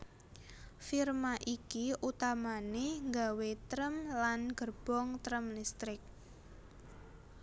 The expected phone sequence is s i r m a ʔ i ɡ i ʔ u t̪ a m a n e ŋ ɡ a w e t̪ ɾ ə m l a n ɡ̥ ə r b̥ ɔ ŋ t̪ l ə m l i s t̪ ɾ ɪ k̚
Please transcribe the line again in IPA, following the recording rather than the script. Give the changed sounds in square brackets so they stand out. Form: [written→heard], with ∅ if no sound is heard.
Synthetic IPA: [s→f] i r m a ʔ i [ɡ→k] i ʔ u t̪ a m a n e ŋ ɡ a w e t̪ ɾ ə m l a n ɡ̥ ə r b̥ ɔ ŋ t̪ [l→ɾ] ə m l i s t̪ ɾ ɪ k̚